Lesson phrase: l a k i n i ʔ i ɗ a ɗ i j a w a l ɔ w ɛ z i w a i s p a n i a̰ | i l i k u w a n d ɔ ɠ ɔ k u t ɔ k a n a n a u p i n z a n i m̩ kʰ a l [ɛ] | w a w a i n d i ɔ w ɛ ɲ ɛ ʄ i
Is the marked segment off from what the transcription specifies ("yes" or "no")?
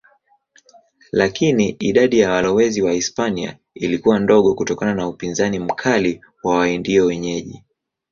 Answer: yes